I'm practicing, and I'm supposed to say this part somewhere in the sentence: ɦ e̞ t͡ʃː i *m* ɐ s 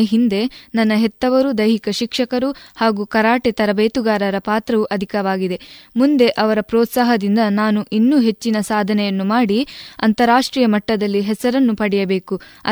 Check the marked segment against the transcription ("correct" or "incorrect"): incorrect